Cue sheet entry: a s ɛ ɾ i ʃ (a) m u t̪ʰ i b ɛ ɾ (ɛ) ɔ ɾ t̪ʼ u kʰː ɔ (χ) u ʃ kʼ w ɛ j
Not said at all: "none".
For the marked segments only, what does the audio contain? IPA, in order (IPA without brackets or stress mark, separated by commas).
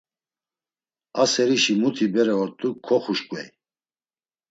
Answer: i, ɛ, χ